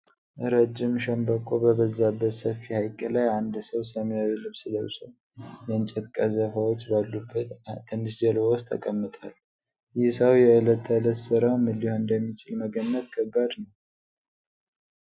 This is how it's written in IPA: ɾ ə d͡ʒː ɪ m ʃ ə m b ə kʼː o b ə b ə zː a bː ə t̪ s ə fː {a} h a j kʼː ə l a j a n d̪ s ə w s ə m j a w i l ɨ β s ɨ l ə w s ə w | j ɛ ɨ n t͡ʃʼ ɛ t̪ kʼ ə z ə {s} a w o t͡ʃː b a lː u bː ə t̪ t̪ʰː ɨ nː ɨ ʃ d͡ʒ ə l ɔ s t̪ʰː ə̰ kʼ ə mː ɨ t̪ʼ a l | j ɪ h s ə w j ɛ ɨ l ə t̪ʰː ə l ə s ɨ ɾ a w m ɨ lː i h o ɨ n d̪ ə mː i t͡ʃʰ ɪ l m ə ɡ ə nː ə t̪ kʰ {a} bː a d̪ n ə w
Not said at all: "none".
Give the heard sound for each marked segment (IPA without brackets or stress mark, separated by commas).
i, f, ə